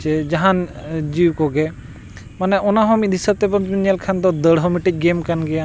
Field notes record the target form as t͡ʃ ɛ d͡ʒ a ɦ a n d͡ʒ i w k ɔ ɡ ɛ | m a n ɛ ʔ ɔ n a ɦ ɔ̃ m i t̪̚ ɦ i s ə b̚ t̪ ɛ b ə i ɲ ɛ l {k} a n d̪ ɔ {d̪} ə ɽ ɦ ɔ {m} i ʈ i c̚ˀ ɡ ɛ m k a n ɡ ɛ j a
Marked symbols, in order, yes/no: no, yes, yes

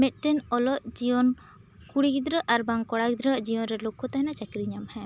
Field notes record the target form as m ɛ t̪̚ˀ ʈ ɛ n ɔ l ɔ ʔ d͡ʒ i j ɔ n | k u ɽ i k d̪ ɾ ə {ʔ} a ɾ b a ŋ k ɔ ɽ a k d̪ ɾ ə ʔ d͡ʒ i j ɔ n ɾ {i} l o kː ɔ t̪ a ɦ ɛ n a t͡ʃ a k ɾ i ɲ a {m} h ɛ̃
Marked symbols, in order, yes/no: yes, no, yes

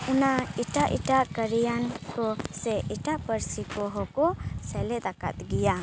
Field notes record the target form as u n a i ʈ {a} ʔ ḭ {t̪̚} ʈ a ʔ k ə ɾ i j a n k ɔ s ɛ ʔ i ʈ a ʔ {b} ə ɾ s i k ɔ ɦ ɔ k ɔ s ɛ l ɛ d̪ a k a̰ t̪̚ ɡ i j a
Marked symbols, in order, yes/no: yes, no, no

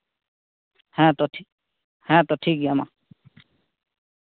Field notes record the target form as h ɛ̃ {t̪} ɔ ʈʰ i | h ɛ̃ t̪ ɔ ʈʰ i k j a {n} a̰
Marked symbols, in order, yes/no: yes, no

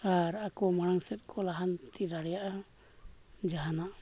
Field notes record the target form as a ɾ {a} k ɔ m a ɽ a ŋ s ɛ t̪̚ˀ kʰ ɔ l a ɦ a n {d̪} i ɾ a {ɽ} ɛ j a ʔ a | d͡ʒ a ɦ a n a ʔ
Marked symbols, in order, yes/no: yes, no, yes

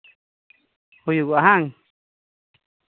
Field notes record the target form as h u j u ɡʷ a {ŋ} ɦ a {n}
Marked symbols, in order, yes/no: no, no

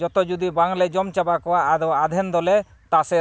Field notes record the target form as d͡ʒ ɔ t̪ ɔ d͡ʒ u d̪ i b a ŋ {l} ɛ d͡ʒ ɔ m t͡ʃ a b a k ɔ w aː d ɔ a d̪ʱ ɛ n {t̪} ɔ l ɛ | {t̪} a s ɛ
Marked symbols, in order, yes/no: yes, no, yes

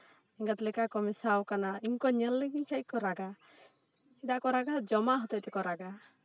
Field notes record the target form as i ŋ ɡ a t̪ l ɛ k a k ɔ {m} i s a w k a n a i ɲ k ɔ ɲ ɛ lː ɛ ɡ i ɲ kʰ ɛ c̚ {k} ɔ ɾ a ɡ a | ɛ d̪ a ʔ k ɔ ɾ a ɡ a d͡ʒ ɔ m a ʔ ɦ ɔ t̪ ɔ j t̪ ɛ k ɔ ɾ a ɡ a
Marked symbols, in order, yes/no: yes, yes

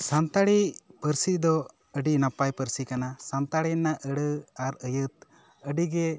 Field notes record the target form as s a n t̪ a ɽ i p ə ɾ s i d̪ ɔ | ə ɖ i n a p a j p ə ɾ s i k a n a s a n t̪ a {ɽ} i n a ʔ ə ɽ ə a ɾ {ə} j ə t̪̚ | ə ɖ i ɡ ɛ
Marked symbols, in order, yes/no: yes, yes

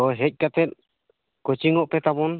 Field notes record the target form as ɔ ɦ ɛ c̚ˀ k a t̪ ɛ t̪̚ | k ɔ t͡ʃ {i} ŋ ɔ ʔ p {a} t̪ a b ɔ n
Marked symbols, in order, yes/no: yes, no

